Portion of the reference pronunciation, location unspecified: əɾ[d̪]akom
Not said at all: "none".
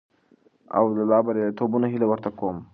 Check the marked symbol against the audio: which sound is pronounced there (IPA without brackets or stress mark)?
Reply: t̪